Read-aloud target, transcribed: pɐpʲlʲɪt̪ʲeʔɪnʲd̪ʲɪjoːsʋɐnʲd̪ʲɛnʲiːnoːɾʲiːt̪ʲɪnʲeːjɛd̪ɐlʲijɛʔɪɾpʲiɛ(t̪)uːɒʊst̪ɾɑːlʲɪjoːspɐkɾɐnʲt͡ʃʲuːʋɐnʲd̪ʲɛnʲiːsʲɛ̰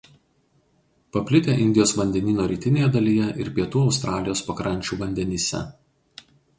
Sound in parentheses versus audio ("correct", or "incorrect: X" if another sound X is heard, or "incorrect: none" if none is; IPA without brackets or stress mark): correct